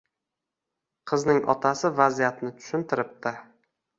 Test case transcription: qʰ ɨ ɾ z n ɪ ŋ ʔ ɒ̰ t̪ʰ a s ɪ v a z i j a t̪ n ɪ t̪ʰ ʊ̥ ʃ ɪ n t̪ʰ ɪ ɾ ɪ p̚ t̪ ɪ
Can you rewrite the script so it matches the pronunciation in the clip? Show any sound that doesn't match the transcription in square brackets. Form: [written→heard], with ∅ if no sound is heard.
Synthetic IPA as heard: qʰ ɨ [ɾ→∅] z n ɪ ŋ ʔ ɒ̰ t̪ʰ a s ɪ v a z i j a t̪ n ɪ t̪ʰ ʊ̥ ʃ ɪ n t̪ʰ ɪ ɾ ɪ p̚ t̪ ɪ